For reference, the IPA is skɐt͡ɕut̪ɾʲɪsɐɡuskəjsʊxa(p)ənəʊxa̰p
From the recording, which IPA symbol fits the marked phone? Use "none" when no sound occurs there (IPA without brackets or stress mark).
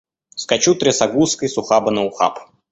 b